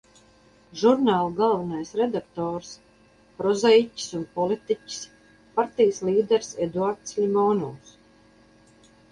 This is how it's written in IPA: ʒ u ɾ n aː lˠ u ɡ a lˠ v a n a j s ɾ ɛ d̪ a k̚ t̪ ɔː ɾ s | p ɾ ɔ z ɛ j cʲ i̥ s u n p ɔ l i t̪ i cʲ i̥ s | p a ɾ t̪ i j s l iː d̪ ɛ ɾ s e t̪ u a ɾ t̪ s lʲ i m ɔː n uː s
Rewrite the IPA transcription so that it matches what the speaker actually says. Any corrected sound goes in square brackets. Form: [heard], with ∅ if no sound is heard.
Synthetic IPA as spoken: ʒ u ɾ n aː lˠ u ɡ a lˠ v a n a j s ɾ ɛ d̪ a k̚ t̪ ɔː ɾ s | p ɾ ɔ z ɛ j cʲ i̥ s u n p ɔ l i t̪ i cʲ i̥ s | p a ɾ t̪ i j s l iː d̪ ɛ ɾ s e [d̪] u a ɾ t̪ s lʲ i m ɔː n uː s